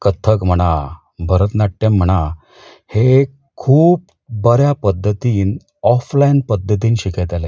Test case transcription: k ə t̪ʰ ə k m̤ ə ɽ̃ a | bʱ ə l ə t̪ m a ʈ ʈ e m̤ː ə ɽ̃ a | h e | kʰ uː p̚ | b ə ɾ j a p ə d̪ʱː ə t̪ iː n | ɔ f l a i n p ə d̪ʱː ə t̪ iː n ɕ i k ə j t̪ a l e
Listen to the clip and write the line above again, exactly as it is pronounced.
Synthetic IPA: k ə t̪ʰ ə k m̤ ə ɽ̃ a | bʱ ə ɾ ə t̪ n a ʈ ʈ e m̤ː ə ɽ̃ a | h e | kʰ uː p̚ | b ə ɾ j a p ə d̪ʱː ə t̪ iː n | ɔ f l a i n p ə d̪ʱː ə t̪ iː n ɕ i k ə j t̪ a l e